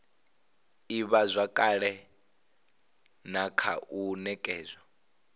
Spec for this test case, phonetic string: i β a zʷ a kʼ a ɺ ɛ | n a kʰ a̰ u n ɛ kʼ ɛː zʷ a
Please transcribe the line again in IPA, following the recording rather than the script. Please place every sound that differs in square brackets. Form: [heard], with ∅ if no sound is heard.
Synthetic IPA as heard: i β a zʷ a kʼ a ɺ ɛ | n a kʰ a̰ u n ɛ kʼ ɛː zʷ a